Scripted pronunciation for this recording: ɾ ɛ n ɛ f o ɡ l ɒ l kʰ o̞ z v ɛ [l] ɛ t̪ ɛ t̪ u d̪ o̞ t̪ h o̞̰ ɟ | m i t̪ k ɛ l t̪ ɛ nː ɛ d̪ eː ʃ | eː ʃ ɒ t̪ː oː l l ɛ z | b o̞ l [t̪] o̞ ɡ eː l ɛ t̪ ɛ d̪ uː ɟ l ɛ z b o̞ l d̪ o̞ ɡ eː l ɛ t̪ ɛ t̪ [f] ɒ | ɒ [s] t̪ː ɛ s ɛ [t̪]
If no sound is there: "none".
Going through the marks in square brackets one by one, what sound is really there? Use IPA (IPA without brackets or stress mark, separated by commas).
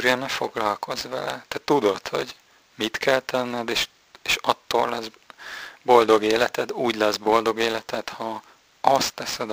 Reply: l, d̪, h, s, d̪